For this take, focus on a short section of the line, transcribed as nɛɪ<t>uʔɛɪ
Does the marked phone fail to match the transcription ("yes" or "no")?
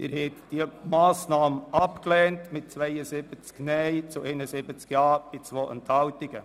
yes